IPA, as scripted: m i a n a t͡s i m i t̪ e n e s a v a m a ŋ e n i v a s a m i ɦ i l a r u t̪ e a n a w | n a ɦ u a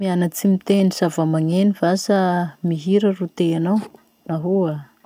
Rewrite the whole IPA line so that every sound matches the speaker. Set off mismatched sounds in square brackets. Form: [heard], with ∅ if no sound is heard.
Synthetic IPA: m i a n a t͡s i m i t̪ e n [i] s a v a m a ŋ e n i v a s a m i ɦ i [ɾ] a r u t̪ e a n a w | n a ɦ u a